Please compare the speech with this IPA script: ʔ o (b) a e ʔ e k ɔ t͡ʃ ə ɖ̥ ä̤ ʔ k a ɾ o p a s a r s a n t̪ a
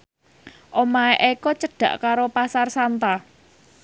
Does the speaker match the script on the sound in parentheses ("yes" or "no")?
no